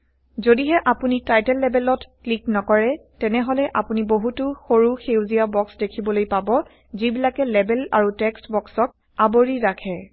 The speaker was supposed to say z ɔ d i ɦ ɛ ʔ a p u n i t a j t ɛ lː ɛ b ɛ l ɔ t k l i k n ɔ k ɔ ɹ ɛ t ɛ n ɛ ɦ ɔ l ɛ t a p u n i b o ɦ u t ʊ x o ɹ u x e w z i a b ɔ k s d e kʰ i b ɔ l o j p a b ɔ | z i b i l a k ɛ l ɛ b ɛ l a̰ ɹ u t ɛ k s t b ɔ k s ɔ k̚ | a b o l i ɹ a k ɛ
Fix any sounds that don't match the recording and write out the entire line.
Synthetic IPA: z o d i ɦ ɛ ʔ a p u n i t a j t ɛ lː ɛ b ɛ l ɔ t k l i k n ɔ k ɔ ɹ ɛ t ɛ n ɛ ɦ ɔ l ɛ ʔ a p u n i b o ɦ u t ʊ x o ɹ u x e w z i a b ɔ k s d e kʰ i b ɔ l o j p a b ɔ | z i b i l a k ɛ l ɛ b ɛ l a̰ ɹ u t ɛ k s t b ɔ k s ɔ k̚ | a b o ɹ i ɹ a kʰ ɛ